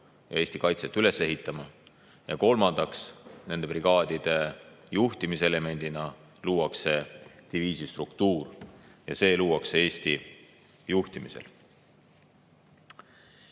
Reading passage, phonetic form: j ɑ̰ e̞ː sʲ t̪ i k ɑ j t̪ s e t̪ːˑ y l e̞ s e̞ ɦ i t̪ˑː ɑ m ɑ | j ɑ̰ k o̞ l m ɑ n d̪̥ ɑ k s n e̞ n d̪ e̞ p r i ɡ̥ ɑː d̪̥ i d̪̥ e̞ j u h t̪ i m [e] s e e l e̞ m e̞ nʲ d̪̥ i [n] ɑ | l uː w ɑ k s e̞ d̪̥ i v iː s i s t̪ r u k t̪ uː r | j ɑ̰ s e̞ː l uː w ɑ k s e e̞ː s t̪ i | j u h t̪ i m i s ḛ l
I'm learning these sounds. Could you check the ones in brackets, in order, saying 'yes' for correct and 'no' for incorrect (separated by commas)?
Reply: no, yes